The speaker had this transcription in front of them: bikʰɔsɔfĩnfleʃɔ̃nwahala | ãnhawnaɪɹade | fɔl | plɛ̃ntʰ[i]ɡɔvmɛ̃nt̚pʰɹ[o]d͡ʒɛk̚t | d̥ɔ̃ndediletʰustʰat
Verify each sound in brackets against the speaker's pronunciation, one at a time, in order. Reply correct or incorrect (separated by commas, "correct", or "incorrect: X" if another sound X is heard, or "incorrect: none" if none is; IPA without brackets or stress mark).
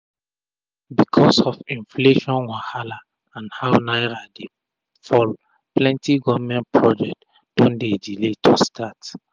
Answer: correct, incorrect: ɔ